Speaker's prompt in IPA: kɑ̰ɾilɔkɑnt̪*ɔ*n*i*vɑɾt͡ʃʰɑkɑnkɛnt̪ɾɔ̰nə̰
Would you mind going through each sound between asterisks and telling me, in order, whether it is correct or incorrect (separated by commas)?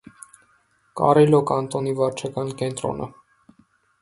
correct, correct